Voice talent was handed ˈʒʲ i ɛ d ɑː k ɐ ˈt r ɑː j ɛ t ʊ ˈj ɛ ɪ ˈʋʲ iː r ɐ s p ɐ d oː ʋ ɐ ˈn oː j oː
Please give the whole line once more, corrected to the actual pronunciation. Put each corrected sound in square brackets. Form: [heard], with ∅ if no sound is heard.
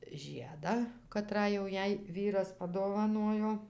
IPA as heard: ˈʒʲ i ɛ d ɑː k ɐ ˈt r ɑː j ɛ [∅] ʊ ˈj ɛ ɪ ˈʋʲ iː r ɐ s p ɐ d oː ʋ ɐ ˈn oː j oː